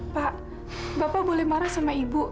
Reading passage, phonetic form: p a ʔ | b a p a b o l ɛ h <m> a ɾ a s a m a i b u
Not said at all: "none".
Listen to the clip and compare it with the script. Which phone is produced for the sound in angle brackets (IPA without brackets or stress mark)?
m